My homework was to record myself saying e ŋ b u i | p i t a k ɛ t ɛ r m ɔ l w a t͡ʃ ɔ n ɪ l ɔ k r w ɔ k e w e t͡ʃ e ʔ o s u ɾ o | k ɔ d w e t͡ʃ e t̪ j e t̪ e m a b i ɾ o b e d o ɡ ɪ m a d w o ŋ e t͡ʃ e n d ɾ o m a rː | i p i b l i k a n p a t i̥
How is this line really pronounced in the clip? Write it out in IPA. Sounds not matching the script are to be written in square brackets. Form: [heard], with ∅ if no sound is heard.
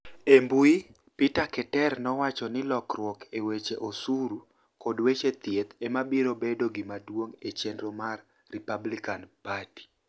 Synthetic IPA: e [m] b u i | p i t a k ɛ t ɛ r [n] ɔ [∅] w a t͡ʃ ɔ n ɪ l ɔ k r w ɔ k e w e t͡ʃ e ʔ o s u ɾ [u] | k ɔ d w e t͡ʃ e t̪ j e t̪ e m a b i ɾ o b e d o ɡ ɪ m a d w o ŋ e t͡ʃ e n d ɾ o m a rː | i p [a] b l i k a n p a t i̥